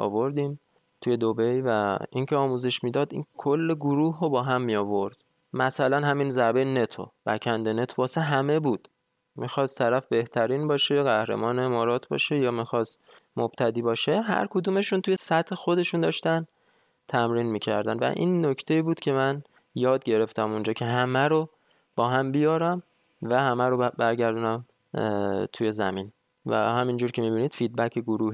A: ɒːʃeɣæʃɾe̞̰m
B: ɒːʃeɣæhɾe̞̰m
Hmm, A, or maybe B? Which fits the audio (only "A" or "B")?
B